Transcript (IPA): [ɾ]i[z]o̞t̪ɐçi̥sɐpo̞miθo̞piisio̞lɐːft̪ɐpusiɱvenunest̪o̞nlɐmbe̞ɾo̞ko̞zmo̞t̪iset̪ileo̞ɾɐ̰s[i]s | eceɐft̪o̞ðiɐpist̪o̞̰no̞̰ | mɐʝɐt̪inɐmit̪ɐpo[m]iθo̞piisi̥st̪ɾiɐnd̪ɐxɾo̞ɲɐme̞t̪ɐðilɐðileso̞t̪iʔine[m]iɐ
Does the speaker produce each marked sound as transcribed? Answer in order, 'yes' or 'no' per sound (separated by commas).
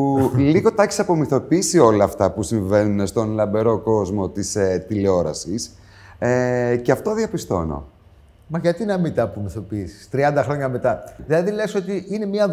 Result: no, no, yes, yes, yes